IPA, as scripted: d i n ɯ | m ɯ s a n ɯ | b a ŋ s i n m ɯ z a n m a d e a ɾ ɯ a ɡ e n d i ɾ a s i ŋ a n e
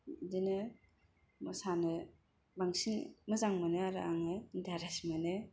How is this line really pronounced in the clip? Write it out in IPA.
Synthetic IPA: d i n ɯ | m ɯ s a n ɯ | b a ŋ s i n m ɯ z a ŋ m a n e a ɾ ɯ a ŋ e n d a ɾ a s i m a n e